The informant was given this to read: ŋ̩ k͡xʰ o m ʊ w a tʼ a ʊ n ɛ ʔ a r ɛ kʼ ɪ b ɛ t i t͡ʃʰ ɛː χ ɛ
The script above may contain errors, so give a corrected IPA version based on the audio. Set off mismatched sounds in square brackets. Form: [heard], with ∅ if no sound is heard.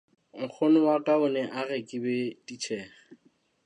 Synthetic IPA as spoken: ŋ̩ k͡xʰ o [n] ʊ w a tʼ a ʊ n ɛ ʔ a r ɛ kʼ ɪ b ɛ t i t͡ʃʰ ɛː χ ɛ